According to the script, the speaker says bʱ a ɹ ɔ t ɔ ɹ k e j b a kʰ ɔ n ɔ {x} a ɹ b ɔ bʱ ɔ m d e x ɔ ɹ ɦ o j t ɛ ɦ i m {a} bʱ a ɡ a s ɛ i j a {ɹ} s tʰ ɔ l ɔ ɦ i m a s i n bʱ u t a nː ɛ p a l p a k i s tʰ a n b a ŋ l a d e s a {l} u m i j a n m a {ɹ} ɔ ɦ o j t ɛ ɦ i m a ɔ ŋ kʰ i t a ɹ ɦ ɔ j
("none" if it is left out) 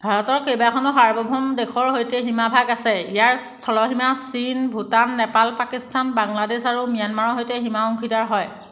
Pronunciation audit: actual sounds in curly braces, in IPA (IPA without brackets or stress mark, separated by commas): x, a, ɹ, ɹ, ɹ